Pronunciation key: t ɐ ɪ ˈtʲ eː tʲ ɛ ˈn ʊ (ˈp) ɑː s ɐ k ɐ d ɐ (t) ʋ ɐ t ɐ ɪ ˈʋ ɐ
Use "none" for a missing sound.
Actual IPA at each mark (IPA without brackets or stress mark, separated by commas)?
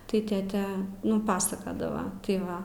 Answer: p, none